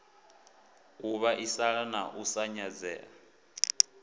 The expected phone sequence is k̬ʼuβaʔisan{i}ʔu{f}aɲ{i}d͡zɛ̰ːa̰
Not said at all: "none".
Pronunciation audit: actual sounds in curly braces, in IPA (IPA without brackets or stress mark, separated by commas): a, s, a